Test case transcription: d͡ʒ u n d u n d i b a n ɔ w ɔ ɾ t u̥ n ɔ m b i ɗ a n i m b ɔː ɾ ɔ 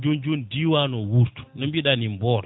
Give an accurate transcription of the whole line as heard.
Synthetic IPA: d͡ʒ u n d͡ʒ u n d i w a n ɔ w u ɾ t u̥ n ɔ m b i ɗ a n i m b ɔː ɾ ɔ